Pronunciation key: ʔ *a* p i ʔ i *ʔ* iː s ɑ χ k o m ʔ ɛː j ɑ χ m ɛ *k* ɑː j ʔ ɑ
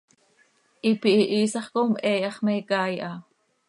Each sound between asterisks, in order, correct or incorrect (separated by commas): incorrect, correct, correct